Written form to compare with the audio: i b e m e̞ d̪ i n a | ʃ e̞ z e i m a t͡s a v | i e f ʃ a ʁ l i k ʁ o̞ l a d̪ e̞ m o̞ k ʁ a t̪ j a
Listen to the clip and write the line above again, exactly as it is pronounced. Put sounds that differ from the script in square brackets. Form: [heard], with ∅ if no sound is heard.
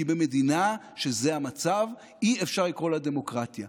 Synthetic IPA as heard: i b e m e̞ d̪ i n a | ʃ e̞ z e [a] m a t͡s a v | i e f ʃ a ʁ l i k ʁ o̞ l a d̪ e̞ m o̞ k ʁ a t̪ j a